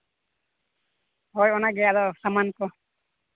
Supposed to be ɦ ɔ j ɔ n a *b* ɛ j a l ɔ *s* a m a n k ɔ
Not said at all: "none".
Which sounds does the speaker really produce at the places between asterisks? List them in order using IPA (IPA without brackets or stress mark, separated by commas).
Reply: ɡ, s